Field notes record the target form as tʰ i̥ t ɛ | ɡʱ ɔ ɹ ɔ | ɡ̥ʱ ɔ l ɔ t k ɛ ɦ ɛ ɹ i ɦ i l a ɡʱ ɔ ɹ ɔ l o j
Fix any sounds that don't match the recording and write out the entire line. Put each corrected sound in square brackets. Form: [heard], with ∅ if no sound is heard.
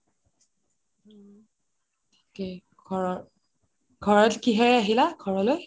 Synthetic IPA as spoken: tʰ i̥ [k] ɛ | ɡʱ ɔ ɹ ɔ | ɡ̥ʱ ɔ [ɹ] ɔ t k [i] ɦ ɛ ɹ [a] ɦ i l a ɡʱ ɔ ɹ ɔ l o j